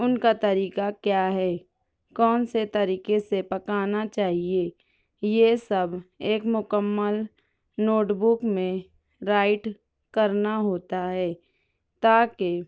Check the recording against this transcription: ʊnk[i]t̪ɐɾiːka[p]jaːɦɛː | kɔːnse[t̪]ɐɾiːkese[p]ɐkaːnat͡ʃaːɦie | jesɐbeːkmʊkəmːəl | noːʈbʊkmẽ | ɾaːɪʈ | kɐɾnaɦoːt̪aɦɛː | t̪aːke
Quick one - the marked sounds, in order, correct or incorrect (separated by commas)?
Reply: incorrect, incorrect, correct, correct